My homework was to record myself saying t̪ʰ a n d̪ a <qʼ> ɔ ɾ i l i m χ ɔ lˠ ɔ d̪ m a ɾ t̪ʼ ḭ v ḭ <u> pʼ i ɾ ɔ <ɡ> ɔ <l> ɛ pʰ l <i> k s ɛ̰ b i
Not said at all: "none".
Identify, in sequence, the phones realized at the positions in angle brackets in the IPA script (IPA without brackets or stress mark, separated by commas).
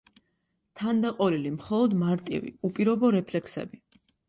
qʼ, u, b, ɾ, ɛ